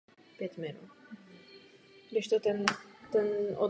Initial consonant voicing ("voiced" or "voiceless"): voiceless